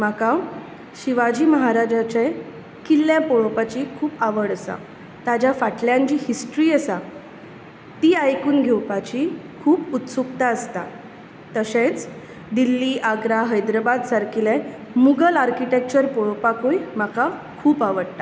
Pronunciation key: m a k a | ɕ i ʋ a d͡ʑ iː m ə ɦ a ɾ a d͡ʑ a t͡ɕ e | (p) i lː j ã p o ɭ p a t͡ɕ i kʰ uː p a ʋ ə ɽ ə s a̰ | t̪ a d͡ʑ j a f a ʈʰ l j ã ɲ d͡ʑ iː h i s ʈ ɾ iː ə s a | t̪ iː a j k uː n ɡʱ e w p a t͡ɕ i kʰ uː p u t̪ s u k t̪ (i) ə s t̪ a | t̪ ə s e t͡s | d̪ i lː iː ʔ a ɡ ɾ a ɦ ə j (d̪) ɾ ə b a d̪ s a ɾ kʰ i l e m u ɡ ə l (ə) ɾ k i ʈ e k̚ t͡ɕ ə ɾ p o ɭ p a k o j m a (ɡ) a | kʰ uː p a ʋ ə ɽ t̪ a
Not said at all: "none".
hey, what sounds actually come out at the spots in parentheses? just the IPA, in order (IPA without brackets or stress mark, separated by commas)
k, a, d̪, a, k